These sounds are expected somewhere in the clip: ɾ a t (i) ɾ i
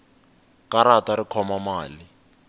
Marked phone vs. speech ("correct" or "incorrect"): incorrect